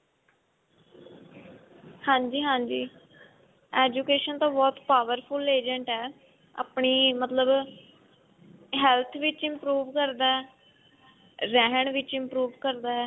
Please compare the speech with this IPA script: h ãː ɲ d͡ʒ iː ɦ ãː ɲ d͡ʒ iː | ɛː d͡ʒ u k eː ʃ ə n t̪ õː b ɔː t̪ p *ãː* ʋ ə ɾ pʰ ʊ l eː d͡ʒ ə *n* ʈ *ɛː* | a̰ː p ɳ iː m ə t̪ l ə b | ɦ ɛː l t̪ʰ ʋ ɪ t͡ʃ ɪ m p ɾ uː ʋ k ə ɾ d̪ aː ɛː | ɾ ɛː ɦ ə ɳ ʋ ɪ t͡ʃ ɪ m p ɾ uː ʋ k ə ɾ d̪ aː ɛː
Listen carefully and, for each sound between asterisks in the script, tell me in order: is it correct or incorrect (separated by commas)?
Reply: incorrect, incorrect, correct